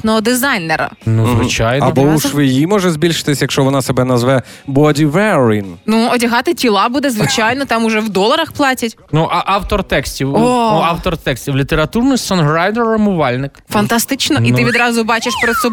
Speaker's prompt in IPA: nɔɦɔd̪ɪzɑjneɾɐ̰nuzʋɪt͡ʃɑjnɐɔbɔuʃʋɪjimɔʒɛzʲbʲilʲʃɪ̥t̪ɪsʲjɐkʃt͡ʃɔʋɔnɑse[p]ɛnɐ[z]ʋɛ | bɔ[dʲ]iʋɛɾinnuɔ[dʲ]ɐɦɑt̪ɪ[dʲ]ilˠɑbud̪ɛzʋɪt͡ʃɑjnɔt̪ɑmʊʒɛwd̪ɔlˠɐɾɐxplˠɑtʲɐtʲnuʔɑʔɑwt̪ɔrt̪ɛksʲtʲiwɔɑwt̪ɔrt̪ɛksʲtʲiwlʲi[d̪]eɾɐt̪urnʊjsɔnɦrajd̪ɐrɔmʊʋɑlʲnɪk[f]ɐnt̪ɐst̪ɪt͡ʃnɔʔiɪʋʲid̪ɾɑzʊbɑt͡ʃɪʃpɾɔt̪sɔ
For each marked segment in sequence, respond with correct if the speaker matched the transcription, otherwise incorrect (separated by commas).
incorrect, correct, correct, correct, incorrect, incorrect, correct